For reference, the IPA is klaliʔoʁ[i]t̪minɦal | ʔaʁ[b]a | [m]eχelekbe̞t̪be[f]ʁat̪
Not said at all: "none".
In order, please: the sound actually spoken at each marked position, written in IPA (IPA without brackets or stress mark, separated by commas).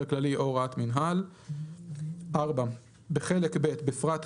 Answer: a, b, b, f